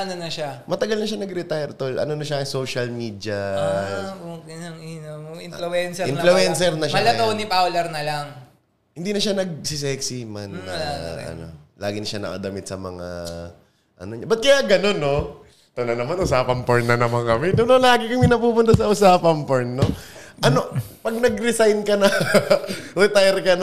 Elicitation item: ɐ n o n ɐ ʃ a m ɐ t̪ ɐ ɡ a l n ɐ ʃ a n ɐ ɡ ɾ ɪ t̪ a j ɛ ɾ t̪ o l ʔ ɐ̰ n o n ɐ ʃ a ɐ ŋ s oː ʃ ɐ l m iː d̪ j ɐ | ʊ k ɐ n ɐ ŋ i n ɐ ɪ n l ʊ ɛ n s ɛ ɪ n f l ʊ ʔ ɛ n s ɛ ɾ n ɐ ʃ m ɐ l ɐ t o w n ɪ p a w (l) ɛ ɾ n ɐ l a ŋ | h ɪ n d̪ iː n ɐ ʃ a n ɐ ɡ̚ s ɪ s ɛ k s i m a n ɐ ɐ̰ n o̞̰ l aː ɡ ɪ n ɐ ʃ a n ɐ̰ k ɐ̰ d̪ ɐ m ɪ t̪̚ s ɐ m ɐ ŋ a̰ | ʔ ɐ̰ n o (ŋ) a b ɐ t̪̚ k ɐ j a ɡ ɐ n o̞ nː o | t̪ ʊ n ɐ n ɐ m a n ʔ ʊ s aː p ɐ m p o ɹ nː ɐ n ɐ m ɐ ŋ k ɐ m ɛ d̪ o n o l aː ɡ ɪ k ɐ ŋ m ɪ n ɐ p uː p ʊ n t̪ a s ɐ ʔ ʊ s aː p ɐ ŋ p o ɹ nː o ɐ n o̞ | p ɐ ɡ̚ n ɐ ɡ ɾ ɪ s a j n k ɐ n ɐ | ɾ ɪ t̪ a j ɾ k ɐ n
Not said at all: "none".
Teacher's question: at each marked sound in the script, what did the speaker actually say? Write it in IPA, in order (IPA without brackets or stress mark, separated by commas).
l, ɲ